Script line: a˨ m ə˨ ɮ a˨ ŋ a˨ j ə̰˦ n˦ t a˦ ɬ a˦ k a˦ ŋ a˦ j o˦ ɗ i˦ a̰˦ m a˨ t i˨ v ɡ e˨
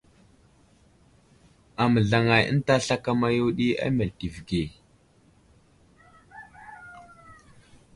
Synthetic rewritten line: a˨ m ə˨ ɮ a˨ ŋ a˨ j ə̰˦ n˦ t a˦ ɬ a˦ k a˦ m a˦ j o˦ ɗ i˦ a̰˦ m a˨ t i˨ v ɡ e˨